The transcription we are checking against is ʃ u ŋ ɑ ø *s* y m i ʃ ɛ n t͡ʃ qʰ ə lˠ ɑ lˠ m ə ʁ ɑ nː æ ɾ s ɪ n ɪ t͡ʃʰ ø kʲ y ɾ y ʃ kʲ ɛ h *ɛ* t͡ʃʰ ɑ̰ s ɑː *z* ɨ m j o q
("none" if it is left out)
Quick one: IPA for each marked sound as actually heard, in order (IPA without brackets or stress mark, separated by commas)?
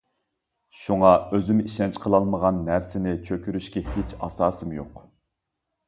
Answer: z, e, s